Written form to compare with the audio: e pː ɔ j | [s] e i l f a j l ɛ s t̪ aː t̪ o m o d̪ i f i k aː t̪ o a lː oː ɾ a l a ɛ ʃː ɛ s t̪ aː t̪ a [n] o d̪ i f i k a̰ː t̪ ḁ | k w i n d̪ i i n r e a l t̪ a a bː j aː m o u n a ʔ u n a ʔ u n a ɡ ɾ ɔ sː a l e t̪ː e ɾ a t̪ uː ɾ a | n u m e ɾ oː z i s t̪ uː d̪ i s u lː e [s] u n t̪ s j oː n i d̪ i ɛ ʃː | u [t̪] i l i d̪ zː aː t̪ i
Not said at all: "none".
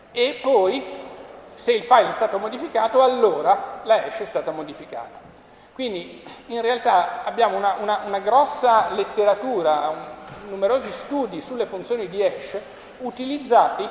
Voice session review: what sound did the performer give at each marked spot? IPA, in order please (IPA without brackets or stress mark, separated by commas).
s, m, f, t̪